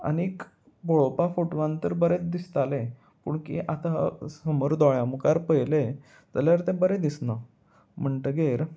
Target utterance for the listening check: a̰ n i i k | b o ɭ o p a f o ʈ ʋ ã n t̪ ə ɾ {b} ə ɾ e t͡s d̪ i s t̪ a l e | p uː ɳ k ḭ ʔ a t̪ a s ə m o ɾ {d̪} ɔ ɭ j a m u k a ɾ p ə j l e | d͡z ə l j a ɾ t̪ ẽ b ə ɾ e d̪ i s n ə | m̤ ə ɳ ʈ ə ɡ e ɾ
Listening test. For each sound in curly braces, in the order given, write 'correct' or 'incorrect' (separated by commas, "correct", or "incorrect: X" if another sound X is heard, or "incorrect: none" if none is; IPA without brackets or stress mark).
correct, correct